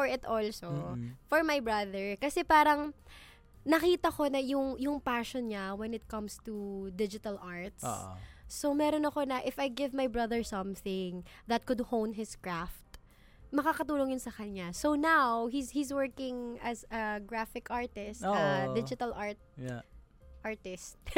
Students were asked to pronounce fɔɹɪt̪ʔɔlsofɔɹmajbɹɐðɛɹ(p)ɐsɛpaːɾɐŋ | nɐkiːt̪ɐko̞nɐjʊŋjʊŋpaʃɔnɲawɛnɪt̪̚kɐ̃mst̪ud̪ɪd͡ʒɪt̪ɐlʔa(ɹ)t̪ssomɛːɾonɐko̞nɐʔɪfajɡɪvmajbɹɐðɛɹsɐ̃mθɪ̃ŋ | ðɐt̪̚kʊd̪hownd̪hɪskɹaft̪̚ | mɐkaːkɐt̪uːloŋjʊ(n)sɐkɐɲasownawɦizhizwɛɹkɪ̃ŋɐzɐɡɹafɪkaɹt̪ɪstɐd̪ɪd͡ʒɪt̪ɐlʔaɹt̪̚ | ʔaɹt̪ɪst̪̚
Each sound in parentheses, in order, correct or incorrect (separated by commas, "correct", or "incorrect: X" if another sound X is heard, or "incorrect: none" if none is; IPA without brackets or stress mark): incorrect: k, correct, correct